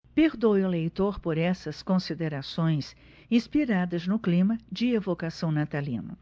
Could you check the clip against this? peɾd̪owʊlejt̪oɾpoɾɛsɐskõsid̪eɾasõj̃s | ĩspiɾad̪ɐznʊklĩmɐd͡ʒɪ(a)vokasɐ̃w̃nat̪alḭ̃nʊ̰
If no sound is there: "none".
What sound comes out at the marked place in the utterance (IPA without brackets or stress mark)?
e